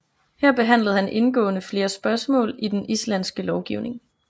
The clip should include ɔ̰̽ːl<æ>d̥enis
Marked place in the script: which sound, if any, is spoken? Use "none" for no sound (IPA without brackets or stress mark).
i